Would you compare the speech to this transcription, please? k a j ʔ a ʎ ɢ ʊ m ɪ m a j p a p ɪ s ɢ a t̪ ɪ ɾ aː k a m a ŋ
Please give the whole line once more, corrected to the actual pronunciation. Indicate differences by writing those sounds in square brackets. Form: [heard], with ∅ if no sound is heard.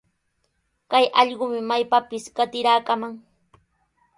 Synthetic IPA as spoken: k a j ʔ [ɑ] ʎ ɢ ʊ m ɪ m a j p a p ɪ s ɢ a t̪ ɪ ɾ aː k a m a ŋ